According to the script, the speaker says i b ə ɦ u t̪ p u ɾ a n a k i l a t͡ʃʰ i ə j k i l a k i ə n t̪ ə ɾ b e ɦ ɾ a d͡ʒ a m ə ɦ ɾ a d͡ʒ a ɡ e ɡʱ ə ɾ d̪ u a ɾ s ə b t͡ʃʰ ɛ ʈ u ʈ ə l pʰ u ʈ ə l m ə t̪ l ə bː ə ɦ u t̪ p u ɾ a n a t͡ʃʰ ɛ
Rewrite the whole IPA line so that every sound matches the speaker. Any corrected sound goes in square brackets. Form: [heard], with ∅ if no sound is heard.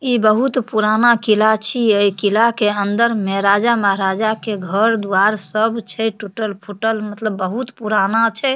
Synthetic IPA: i b ə ɦ u t̪ p u ɾ a n a k i l a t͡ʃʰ i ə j k i l a k [e] ə n [d̪] ə ɾ [m] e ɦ ɾ a d͡ʒ a m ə ɦ ɾ a d͡ʒ a [k] e ɡʱ ə ɾ d̪ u a ɾ s ə b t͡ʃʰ ɛ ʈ u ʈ ə l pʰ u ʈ ə l m ə t̪ l ə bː ə ɦ u t̪ p u ɾ a n a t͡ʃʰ ɛ